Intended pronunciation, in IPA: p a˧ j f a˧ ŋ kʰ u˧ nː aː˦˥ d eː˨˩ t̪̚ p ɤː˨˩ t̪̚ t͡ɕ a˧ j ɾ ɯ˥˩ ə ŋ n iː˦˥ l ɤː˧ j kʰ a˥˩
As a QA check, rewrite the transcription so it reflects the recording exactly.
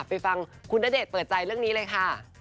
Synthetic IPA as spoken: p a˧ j f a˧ ŋ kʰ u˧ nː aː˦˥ d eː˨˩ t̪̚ p ɤː˨˩ t̪̚ t͡ɕ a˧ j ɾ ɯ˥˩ ə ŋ n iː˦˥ l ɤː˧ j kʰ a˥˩

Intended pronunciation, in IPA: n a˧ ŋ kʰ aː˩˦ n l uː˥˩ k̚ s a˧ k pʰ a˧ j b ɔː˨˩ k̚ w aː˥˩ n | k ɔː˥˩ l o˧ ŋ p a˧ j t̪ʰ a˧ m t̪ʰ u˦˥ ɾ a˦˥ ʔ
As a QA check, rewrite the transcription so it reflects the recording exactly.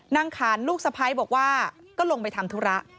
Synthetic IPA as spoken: n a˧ ŋ kʰ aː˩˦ n l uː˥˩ k̚ s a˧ pʰ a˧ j b ɔː˨˩ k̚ w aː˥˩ | k ɔː˥˩ l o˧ ŋ p a˧ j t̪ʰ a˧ m t̪ʰ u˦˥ ɾ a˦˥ ʔ

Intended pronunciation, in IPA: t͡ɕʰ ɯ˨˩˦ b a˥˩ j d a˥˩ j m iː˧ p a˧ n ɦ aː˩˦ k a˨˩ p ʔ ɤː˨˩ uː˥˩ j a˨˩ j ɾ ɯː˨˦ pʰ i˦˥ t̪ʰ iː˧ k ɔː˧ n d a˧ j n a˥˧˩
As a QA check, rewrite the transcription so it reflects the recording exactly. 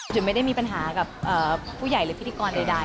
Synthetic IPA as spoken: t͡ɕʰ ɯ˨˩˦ m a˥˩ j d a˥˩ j m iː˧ p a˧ n ɦ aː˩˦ k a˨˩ p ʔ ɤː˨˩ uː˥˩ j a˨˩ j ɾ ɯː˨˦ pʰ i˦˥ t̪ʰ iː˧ k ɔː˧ n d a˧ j d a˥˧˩

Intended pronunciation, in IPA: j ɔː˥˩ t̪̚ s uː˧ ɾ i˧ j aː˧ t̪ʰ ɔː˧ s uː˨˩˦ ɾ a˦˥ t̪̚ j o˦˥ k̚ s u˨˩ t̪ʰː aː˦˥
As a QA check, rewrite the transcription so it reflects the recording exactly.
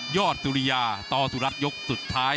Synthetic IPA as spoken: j ɔː˥˩ t̪̚ s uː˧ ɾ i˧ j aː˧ t̪ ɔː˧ s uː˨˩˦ ɾ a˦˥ t̪̚ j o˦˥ k̚ s u˨˩ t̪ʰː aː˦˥

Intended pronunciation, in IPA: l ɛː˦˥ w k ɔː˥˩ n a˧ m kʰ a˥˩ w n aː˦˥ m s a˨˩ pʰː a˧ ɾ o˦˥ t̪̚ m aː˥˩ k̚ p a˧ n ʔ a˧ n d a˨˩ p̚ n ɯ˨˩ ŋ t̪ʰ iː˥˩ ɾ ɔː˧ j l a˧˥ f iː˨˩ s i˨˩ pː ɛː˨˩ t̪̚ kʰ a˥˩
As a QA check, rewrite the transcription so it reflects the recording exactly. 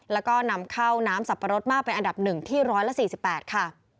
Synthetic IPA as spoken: l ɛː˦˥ w k ɔː˥˩ n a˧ m kʰ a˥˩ w n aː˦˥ m s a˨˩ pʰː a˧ ɾ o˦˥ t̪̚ m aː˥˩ k̚ p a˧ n ʔ a˧ n d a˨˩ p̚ n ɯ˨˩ ŋ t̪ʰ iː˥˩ ɾ ɔː˦˥ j l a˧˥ s iː˨˩ s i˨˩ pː ɛː˨˩ t̪̚ kʰ a˥˩

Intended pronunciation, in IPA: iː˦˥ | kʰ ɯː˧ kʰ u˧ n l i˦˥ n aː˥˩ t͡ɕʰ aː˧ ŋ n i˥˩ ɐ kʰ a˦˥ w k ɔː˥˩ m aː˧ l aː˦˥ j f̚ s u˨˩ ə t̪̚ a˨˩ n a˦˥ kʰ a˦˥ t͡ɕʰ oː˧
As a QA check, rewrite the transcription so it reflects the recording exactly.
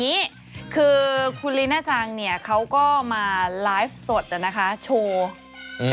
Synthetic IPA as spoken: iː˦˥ | kʰ ɯː˧ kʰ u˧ n l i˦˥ n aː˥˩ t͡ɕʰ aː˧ ŋ n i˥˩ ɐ kʰ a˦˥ w k ɔː˥˩ m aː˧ l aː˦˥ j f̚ s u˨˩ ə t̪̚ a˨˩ n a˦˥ kʰ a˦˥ t͡ɕʰ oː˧

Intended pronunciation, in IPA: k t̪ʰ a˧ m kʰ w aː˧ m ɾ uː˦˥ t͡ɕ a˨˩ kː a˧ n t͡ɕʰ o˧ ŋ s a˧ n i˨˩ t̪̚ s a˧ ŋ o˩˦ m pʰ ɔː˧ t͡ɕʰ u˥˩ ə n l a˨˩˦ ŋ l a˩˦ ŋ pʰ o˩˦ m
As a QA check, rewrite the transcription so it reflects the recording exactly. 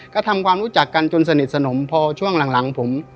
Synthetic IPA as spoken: k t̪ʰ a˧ m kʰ w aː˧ m ɾ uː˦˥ t͡ɕ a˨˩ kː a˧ n t͡ɕ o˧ n s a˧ n i˨˩ t̪̚ s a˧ n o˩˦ m pʰ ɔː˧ t͡ɕʰ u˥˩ ə ŋ l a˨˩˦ ŋ l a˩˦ ŋ pʰ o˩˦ m

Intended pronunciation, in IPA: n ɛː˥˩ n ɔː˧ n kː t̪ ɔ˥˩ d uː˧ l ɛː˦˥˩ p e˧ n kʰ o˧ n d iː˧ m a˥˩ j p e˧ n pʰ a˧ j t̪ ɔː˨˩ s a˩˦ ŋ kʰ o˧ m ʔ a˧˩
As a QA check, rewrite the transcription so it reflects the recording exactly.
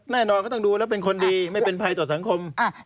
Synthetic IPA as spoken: n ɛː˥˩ n ɔː˧ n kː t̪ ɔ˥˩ d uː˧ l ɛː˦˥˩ p e˧ n kʰ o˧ n d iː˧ m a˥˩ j p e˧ n pʰ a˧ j t̪ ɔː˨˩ s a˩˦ ŋ kʰ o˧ m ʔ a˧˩

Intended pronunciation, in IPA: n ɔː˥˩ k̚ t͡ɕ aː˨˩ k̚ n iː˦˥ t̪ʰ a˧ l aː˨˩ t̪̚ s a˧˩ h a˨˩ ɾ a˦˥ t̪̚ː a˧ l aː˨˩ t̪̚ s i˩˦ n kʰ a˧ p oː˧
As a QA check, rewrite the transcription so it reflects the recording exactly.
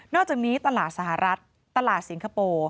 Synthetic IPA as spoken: n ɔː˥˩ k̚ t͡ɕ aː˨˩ k̚ n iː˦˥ t̪ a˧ l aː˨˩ t̪̚ s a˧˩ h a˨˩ ɾ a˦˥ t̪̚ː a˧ l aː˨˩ t̪̚ s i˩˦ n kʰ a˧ p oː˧

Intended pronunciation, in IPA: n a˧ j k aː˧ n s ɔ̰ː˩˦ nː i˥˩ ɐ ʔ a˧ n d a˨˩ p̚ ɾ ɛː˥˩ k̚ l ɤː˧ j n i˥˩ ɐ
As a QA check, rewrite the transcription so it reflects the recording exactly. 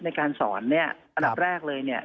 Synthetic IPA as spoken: n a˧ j k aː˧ n s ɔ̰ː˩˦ nː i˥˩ ɐ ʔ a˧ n d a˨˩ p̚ ɾ ɛː˥˩ k̚ l ɤː˧ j n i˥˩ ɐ

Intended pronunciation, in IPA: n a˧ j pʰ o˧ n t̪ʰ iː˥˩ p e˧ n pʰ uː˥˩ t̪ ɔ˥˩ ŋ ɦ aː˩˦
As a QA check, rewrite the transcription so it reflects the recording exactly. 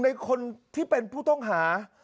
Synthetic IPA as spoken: n a˧ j kʰ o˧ n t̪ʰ iː˥˩ p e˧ n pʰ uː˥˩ t̪ ɔ˥˩ ŋ ɦ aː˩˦

